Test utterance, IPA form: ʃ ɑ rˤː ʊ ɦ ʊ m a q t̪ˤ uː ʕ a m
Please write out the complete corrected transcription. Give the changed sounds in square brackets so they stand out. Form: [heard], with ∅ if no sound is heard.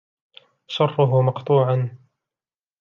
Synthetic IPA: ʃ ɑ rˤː ʊ ɦ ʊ m [ɑ] q t̪ˤ uː ʕ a [n]